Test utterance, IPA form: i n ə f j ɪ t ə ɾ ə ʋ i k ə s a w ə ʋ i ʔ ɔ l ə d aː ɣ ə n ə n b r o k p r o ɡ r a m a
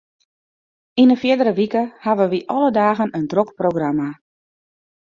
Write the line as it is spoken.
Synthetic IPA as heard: i n ə f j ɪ d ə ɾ ə ʋ i k ə h a ʋ ə ʋ i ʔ ɔ l ə d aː ɣ ə n ə n d r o k p r o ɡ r a m a